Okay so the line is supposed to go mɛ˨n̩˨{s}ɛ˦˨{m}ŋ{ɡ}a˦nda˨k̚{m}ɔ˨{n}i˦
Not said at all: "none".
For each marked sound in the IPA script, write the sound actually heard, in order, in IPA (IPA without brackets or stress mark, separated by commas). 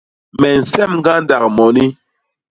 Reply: s, m, ɡ, m, n